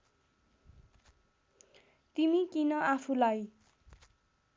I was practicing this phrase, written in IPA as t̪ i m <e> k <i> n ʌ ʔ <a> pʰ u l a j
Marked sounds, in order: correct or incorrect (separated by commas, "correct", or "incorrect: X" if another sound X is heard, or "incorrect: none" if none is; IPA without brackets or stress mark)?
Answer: incorrect: i, correct, correct